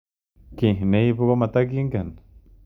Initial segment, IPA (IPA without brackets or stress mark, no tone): k